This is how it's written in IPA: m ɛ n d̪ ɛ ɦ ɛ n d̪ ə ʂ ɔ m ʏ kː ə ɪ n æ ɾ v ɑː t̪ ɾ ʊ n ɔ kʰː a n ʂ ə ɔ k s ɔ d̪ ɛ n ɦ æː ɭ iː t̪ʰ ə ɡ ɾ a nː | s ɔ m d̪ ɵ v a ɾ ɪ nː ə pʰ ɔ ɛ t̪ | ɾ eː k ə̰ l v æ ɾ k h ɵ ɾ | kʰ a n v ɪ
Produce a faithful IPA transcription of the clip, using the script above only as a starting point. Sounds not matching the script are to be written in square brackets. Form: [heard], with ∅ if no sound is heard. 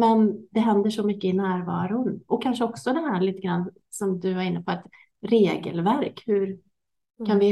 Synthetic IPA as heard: m ɛ n d̪ ɛ ɦ ɛ n d̪ ə ʂ ɔ m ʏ kː ə ɪ n [æː] ɾ v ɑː [∅] ɾ ʊ n ɔ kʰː a n ʂ ə ɔ k s ɔ d̪ ɛ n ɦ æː ɭ iː [t̪] ə ɡ ɾ a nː | s ɔ m d̪ ɵ v a ɾ ɪ nː ə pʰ ɔ ɛ t̪ | ɾ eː [ɡ] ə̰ l v æ ɾ k h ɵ ɾ | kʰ a n v ɪ